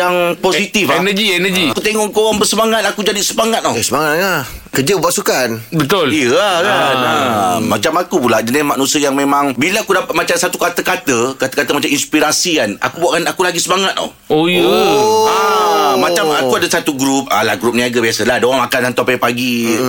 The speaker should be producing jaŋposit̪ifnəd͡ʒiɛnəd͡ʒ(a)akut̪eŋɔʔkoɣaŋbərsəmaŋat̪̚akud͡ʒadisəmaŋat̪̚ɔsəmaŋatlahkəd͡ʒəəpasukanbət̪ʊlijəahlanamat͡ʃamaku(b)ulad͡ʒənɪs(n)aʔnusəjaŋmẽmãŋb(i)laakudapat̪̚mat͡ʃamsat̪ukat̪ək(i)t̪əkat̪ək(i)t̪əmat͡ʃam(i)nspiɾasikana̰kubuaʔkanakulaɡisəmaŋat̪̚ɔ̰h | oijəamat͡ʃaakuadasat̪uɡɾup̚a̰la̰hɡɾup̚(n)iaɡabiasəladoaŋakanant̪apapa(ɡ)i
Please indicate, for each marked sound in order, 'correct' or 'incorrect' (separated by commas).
incorrect, incorrect, incorrect, correct, incorrect, incorrect, correct, correct, correct